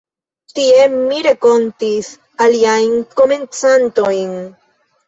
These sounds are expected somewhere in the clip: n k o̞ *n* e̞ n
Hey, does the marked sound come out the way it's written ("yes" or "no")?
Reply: no